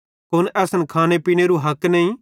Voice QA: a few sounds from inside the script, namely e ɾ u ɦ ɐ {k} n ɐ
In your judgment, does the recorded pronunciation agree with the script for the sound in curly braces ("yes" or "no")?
yes